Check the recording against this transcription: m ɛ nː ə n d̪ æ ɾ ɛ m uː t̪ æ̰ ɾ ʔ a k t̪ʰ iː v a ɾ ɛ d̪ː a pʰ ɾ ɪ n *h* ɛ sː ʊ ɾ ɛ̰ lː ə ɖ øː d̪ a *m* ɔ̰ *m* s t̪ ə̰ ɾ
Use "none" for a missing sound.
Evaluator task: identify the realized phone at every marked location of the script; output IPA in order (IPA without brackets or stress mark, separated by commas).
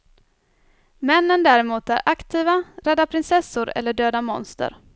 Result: s, m, n